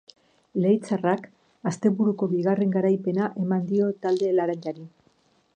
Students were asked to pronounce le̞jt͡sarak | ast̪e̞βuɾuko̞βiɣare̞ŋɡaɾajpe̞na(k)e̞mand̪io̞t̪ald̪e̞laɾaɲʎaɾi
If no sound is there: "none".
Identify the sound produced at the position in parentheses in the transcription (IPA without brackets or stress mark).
ʔ